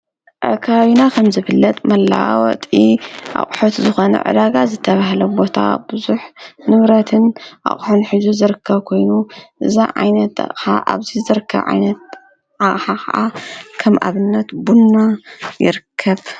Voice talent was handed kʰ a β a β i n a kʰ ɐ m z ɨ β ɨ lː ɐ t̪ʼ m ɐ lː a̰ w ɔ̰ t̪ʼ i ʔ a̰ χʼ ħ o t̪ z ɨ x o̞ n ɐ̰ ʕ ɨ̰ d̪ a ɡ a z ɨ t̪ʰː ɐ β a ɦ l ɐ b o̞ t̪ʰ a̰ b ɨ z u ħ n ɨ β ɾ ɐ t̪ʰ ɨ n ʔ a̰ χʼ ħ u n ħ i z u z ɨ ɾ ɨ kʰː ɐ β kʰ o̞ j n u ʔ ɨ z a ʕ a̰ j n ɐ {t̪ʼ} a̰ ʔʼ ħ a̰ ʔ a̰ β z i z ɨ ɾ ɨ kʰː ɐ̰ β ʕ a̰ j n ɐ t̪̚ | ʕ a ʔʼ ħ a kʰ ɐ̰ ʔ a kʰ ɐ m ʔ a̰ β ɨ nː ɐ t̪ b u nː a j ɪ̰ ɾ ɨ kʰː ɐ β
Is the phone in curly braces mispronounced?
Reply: yes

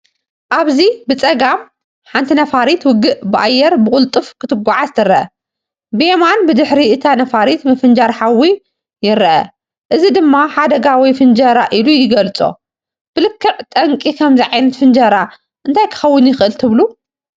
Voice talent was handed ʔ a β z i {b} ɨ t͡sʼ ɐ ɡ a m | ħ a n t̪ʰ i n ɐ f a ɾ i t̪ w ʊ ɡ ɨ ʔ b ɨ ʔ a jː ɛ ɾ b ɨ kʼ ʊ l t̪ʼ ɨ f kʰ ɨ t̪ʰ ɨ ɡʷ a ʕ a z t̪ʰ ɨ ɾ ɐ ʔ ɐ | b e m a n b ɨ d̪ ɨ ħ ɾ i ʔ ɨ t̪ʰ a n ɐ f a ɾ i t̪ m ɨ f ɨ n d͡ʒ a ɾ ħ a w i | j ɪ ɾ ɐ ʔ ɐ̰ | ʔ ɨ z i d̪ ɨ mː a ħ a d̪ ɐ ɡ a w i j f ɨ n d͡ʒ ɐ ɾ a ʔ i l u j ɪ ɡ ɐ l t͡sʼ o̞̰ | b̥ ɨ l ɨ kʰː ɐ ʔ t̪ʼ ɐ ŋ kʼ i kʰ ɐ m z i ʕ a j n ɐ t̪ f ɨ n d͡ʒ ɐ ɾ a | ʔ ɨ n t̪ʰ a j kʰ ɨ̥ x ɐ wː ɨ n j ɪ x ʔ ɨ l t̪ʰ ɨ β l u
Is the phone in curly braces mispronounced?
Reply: no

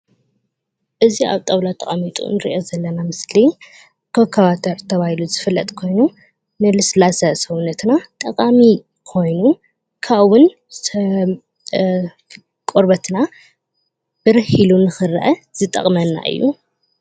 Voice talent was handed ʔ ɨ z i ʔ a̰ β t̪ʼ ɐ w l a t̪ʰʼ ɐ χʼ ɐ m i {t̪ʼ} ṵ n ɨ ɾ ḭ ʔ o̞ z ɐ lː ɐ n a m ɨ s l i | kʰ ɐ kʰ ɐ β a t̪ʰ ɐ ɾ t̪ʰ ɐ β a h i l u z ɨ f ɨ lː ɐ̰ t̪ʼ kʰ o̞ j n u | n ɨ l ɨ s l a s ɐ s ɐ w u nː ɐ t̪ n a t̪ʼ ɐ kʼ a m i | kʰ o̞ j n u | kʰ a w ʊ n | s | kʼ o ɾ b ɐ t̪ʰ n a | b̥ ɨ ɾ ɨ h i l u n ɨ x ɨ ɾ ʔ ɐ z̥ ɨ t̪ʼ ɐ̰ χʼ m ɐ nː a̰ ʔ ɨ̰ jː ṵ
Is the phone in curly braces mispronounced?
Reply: no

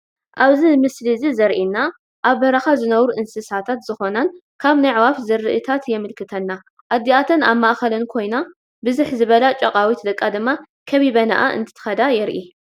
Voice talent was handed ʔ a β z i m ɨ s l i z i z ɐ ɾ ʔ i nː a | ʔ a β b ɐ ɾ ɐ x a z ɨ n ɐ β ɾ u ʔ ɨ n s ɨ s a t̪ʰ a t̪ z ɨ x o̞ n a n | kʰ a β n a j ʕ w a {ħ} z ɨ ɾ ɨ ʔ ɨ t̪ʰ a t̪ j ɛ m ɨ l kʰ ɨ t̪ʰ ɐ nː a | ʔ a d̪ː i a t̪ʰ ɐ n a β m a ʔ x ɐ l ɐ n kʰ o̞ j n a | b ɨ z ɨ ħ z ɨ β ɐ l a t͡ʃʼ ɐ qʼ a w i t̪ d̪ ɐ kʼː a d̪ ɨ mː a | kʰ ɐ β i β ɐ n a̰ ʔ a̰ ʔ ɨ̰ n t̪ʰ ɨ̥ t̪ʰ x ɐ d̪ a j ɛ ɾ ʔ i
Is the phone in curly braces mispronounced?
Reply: yes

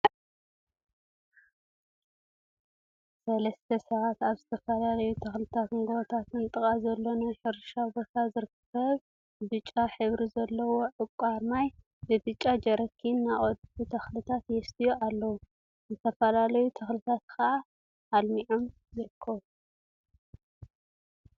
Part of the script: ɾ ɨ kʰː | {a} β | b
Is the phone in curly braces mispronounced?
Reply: yes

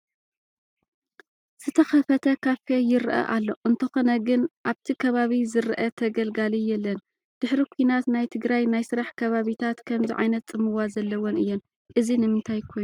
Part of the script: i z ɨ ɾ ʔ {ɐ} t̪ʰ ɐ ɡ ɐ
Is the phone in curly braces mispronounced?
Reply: no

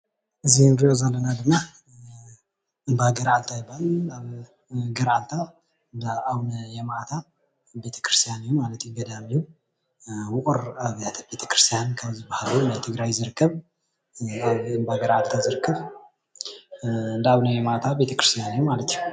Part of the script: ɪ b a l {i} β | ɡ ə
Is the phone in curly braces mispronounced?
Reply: yes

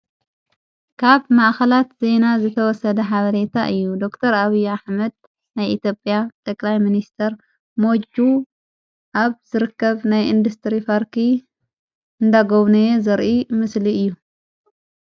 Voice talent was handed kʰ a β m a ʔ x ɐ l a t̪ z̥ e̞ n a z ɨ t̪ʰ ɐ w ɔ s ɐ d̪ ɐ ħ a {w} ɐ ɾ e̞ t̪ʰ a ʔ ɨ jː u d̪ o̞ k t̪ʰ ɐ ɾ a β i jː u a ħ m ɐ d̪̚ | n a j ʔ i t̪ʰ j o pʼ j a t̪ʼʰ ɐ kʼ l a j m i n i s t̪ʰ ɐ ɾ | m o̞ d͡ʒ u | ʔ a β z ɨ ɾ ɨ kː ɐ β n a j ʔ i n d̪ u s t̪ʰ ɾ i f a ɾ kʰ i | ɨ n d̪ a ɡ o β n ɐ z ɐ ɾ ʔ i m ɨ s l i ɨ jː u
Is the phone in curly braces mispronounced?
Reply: yes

